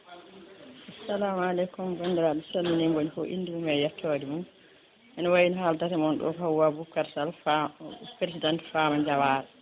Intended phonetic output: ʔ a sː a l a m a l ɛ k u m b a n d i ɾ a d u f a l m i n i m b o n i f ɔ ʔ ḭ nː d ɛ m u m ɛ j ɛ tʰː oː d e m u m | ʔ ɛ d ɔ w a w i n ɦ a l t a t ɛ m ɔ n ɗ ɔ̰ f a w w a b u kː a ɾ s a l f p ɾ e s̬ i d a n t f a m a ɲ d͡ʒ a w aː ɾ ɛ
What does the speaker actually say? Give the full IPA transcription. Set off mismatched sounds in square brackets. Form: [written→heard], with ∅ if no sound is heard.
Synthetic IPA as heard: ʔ a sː a l a m a l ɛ k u m b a n d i ɾ a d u [f→s] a l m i n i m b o n i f ɔ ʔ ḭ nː d [ɛ→i] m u m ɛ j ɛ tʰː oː d [e→i] m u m | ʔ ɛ [d→n] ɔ w a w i n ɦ a l t a t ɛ m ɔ n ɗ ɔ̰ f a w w a b u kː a ɾ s a l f p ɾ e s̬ i d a n t f a m a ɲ d͡ʒ a w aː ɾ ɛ

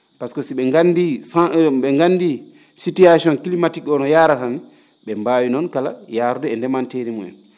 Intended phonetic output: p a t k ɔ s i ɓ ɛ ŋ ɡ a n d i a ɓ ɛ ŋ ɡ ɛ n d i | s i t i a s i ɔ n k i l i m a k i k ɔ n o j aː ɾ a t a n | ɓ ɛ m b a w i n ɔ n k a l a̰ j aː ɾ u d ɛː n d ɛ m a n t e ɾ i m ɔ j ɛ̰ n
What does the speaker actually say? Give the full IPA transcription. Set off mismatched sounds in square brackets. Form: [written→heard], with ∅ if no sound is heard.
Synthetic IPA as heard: p a [t→s] k ɔ s i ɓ ɛ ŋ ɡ a n d i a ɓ ɛ ŋ ɡ [ɛ→a] n d i | s i t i a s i ɔ n k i l i m a [k→t] i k ɔ n [o→ɔ] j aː ɾ a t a n | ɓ ɛ m b a w i n ɔ n k a l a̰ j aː ɾ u d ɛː n d ɛ m a n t e ɾ i m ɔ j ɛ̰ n

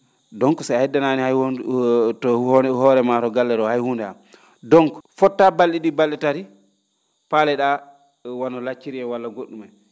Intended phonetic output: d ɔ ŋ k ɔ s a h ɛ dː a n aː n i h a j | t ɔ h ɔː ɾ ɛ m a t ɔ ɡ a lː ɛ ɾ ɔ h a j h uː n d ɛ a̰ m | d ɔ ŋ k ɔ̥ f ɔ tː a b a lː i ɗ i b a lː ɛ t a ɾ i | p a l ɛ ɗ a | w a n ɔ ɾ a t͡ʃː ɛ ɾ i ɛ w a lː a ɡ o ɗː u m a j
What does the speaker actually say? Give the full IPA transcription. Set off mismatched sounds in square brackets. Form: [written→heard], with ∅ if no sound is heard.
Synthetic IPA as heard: d ɔ ŋ k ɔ s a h ɛ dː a n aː n i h a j | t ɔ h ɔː ɾ ɛ m a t ɔ ɡ a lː ɛ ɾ ɔ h a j h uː n d ɛ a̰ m | d ɔ ŋ k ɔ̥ f ɔ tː a b a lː i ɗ i b a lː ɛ t a ɾ i | p a l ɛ ɗ a | w a n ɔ [ɾ→l] a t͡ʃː [ɛ→i] ɾ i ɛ w a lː a ɡ o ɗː u m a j

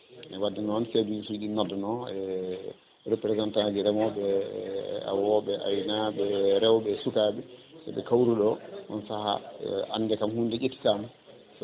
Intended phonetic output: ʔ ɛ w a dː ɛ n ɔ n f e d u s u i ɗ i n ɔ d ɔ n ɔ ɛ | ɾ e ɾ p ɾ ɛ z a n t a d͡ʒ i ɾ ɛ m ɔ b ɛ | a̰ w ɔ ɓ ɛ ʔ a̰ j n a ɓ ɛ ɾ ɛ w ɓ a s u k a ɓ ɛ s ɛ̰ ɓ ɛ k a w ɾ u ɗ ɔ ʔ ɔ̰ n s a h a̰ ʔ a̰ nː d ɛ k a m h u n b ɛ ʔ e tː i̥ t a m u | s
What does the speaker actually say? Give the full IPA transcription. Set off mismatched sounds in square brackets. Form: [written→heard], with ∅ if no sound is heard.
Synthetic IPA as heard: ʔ ɛ w a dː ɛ n ɔ n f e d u s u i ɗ i n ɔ d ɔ n ɔ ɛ | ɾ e [ɾ→∅] p ɾ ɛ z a n t a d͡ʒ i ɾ ɛ m ɔ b ɛ | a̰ w ɔ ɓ ɛ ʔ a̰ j n a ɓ ɛ ɾ ɛ w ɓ [a→ɛ] s u k a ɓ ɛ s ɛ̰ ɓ ɛ k a w ɾ u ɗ ɔ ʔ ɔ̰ n s a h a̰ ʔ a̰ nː d ɛ k a m h u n [b→d] ɛ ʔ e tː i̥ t a m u | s

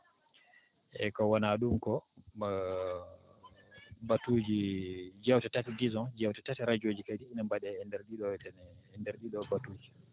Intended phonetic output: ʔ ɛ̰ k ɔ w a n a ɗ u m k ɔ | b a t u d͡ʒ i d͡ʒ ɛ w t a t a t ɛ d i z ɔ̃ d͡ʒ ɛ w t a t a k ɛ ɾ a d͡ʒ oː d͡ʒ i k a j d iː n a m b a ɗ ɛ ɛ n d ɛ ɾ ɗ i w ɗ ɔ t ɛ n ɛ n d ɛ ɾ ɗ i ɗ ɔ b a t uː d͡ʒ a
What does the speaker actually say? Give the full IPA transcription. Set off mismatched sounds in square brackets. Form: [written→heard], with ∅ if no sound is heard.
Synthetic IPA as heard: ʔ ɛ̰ k ɔ w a n a ɗ u m k ɔ | b a t u d͡ʒ i d͡ʒ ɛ w t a t a t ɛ d i z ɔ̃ d͡ʒ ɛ w t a t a [k→t] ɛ ɾ a d͡ʒ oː d͡ʒ i k a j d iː n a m b a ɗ ɛ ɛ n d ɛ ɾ ɗ i [w→∅] ɗ ɔ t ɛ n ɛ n d ɛ ɾ ɗ i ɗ ɔ b a t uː d͡ʒ [a→i]

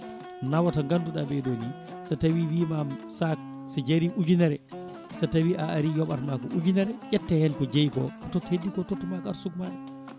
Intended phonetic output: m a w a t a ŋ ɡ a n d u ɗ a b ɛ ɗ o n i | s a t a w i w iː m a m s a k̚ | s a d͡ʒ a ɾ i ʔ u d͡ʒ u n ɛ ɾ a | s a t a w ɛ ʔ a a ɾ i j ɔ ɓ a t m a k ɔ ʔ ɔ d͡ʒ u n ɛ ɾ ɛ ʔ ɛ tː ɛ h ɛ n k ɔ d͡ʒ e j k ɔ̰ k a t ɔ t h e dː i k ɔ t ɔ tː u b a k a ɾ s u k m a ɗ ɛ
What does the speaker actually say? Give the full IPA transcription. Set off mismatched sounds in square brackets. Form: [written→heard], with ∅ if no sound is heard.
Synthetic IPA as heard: [m→n] a w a t a ŋ ɡ a n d u ɗ a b ɛ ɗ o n i | s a t a w i w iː m a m s a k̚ | s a d͡ʒ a ɾ i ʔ u d͡ʒ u n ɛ ɾ [a→ɛ] | s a t a w [ɛ→i] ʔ a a ɾ i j ɔ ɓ a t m a k ɔ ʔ [ɔ→u] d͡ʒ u n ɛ ɾ ɛ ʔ ɛ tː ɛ h ɛ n k ɔ d͡ʒ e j k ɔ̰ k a t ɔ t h e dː i k ɔ t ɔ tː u [b→m] a k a ɾ s u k m a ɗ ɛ

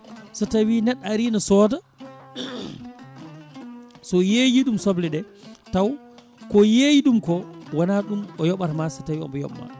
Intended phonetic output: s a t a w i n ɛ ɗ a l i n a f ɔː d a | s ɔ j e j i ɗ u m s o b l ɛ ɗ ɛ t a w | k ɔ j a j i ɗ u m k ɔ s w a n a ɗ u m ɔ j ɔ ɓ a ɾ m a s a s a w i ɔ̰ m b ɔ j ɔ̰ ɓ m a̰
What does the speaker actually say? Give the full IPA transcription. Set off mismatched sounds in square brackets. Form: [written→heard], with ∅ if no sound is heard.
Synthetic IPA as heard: s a t a w i n ɛ ɗ a [l→ɾ] i n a [f→s] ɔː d a | s ɔ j e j i ɗ u m s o b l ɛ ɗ ɛ t a w | k ɔ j [a→e] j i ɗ u m k ɔ [s→∅] w a n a ɗ u m ɔ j ɔ ɓ a ɾ m a s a [s→t] a w i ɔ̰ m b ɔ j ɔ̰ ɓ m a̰

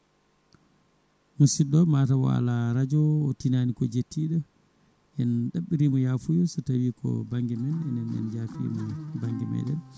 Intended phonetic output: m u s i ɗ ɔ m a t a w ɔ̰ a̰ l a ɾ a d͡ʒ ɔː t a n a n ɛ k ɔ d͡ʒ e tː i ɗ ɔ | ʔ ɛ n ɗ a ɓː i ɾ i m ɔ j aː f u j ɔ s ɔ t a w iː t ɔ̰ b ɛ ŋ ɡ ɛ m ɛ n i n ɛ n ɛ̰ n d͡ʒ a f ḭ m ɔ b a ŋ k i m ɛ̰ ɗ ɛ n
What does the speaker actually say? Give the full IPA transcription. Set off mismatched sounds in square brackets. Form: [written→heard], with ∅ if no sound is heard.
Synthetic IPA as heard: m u s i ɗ ɔ m a t a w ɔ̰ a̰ l a ɾ a d͡ʒ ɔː t [a→i] n a n [ɛ→i] k ɔ d͡ʒ e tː i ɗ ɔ | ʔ ɛ n ɗ a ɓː i ɾ i m ɔ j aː f u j ɔ s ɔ t a w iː [t→k] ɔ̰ b [ɛ→a] ŋ ɡ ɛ m ɛ n [i→ɛ] n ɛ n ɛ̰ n d͡ʒ a f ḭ m ɔ b a ŋ [k→ɡ] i m ɛ̰ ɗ ɛ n

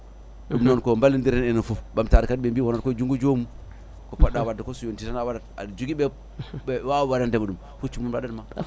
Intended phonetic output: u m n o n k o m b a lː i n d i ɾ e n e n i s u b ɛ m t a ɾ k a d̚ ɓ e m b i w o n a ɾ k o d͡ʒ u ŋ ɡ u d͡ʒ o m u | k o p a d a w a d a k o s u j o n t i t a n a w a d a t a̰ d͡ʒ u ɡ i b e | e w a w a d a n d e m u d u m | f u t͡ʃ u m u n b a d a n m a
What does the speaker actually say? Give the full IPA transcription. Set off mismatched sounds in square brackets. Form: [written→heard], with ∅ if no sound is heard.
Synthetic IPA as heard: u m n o n k o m b a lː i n d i ɾ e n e n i [s→f] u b [ɛ→a] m t a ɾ k a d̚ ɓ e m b i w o n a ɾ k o d͡ʒ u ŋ ɡ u d͡ʒ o m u | k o p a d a w a d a k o s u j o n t i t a n a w a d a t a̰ d͡ʒ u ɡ i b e | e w a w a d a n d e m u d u m | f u t͡ʃ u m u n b a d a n m a

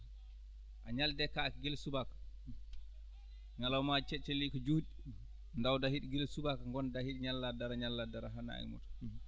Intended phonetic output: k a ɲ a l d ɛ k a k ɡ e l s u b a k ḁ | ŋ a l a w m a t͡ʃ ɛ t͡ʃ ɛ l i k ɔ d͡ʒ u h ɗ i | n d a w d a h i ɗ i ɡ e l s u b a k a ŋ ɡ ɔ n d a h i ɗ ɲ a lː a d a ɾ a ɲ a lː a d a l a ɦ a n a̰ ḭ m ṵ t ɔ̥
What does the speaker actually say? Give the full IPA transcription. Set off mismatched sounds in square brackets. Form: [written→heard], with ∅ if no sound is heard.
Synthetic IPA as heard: [k→ʔ] a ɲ a l d ɛ k a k ɡ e l s u b a k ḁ | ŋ a l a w m a t͡ʃ ɛ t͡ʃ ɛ l i k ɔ d͡ʒ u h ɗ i | n d a w d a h i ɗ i ɡ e l s u b a k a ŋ ɡ ɔ n d a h i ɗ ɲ a lː a d a ɾ a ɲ a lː a d a [l→ɾ] a ɦ a n a̰ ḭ m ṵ t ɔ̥

